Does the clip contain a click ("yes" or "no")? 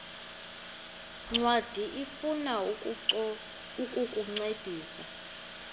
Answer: yes